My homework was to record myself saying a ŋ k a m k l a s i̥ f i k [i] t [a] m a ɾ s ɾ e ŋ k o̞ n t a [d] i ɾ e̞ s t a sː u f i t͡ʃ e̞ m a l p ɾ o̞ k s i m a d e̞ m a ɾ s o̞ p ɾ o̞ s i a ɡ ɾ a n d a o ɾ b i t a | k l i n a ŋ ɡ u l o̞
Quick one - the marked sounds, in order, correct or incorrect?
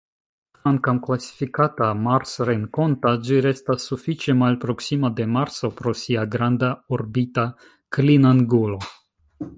incorrect, correct, incorrect

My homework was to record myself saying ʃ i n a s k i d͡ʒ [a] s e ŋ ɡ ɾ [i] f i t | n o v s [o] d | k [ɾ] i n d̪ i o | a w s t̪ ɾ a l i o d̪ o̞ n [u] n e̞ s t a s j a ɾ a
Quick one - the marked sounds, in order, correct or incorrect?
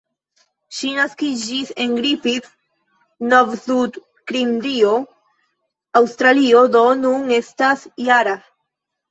incorrect, correct, incorrect, correct, correct

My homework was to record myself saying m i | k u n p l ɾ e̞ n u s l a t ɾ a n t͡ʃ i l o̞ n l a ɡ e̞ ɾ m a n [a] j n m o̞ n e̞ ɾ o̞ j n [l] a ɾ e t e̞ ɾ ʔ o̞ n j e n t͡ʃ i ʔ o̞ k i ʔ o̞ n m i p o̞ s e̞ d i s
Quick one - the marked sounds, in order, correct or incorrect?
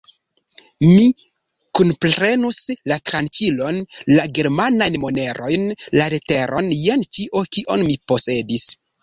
correct, correct

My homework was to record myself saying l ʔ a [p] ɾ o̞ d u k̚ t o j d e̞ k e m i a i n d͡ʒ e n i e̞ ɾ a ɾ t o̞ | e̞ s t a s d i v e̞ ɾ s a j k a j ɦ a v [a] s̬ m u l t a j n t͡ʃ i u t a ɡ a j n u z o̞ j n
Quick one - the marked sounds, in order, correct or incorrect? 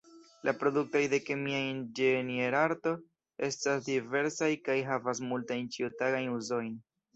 correct, correct

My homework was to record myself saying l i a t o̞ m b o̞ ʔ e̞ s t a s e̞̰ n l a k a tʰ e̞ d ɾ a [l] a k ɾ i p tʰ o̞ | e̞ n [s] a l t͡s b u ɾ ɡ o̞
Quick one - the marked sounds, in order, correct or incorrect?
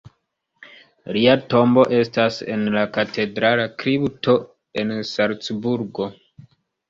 correct, correct

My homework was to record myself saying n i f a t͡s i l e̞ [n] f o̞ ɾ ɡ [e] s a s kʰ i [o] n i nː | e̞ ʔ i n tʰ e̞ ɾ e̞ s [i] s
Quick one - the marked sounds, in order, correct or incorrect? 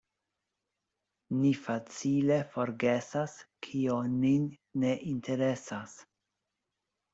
incorrect, correct, correct, incorrect

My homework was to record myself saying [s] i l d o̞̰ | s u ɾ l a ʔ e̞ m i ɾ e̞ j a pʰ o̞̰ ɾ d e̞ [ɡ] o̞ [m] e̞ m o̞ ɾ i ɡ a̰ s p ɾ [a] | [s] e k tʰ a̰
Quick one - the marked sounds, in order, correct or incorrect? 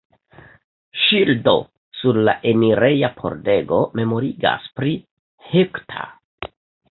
incorrect, correct, correct, incorrect, incorrect

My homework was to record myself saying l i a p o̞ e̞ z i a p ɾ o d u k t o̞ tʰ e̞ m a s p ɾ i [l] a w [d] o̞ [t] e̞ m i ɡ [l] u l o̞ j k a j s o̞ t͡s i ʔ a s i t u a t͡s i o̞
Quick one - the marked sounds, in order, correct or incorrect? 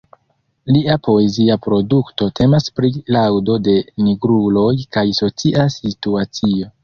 correct, correct, incorrect, incorrect

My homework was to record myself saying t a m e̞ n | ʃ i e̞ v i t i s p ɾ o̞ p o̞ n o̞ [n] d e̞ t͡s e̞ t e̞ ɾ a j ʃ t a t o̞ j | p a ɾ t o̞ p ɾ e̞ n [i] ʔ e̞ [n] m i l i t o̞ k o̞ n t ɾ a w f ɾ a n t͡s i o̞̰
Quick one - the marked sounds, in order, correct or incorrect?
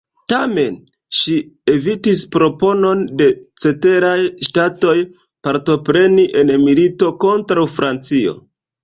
correct, correct, correct

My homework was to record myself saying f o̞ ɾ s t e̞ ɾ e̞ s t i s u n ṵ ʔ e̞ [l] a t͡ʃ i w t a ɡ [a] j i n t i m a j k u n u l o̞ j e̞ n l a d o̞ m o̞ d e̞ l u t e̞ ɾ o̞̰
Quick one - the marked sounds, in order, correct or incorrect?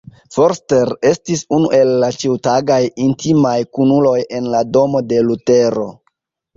incorrect, correct

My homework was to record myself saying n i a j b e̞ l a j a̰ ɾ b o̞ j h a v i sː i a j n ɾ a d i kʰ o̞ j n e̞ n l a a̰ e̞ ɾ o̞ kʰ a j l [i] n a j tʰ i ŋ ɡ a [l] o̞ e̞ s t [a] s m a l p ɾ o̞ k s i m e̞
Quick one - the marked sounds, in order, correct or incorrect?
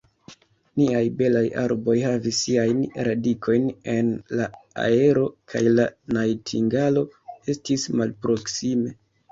incorrect, correct, incorrect

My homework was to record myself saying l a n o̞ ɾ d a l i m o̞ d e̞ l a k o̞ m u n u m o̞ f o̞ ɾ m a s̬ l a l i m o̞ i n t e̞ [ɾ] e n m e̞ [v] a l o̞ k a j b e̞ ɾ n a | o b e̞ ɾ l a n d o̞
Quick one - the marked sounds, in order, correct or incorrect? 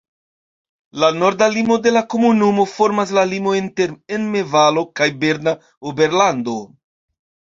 correct, correct

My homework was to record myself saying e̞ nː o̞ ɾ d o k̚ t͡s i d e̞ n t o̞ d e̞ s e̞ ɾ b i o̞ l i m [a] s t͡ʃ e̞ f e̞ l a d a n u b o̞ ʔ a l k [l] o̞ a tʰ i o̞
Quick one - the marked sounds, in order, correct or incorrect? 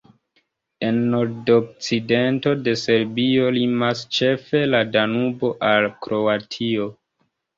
correct, incorrect

